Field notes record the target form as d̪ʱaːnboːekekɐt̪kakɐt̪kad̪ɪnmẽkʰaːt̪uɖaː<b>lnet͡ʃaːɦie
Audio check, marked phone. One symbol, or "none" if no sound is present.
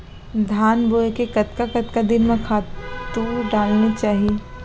none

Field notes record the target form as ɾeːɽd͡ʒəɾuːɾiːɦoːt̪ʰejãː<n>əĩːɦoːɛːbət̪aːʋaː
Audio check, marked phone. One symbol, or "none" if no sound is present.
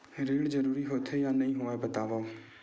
n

